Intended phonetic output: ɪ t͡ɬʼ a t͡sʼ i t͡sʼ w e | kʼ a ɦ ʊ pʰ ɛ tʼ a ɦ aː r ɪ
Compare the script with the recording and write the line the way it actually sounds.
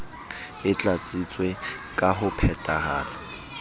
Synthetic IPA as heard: ɪ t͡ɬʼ a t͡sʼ i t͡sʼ w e | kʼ a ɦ ʊ pʰ ɛ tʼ a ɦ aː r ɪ